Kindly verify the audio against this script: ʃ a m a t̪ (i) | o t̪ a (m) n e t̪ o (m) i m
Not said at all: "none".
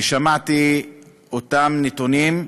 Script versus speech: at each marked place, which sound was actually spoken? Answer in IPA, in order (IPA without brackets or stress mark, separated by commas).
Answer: i, m, n